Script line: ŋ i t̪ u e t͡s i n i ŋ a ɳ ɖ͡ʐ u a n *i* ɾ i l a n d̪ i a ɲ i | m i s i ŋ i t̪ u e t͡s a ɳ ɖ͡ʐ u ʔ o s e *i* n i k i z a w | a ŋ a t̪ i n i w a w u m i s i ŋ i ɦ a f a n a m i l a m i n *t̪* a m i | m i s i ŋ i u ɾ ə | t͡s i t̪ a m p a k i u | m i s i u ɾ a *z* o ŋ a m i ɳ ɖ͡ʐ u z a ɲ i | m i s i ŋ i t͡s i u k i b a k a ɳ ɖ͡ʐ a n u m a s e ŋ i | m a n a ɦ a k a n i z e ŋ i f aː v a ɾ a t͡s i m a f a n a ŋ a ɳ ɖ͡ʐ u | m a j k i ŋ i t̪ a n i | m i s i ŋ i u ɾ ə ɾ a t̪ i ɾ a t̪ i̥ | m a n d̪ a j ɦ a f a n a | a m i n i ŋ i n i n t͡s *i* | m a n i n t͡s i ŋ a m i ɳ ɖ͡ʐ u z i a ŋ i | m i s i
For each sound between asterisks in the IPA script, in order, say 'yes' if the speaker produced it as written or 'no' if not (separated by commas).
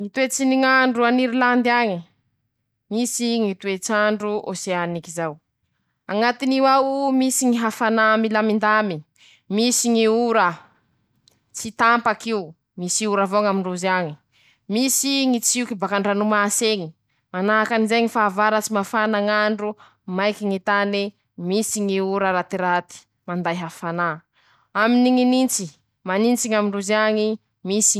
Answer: yes, no, no, no, yes